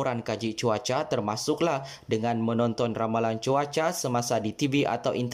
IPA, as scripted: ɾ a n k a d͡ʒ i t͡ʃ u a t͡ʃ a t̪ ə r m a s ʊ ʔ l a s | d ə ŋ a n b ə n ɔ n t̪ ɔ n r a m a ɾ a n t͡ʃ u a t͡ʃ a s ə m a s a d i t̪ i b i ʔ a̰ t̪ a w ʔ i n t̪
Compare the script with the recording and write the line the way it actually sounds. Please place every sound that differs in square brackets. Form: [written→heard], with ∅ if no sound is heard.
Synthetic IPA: ɾ a n k a d͡ʒ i t͡ʃ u a t͡ʃ a t̪ ə r m a s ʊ [ʔ→k] l a [s→h] | d ə ŋ a n [b→m] ə n ɔ n t̪ ɔ n r a m a [ɾ→l] a n t͡ʃ u a t͡ʃ a s ə m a s a d i t̪ i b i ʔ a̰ t̪ a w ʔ i n t̪